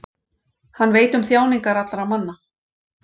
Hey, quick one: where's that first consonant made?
throat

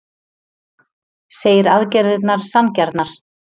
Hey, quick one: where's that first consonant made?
tongue tip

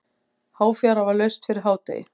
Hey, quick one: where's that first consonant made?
throat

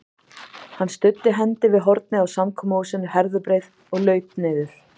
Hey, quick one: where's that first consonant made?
throat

